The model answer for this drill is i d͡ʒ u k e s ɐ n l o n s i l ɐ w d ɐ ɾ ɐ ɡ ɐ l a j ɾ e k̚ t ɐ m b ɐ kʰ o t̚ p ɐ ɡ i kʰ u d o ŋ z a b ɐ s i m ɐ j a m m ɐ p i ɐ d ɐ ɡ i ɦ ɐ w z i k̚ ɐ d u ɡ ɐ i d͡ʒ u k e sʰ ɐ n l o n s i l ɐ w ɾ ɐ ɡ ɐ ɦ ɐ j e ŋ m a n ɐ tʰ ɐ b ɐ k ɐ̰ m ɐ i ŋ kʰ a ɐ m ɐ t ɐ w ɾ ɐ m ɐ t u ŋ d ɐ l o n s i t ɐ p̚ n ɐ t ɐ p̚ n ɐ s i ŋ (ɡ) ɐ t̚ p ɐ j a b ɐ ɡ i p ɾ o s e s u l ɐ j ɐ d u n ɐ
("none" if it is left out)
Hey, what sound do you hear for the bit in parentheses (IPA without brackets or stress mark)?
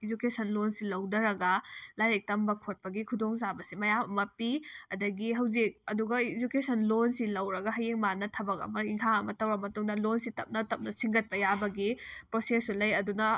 ɡ